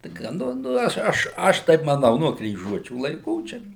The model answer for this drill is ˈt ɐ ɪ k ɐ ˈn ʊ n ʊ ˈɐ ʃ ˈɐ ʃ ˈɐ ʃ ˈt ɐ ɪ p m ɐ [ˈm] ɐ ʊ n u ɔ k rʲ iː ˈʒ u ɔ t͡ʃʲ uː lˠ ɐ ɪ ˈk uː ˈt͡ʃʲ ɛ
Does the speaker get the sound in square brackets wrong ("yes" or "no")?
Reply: yes